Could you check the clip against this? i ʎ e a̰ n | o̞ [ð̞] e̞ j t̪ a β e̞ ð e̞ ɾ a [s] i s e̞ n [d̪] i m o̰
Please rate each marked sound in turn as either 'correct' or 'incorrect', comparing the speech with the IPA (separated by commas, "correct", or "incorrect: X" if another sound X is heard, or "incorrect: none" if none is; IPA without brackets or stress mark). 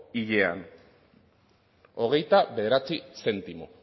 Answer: incorrect: ɣ̞, incorrect: t͡s, incorrect: t̪